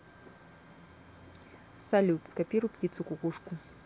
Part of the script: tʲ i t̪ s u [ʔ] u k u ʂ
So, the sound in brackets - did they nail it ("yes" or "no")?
no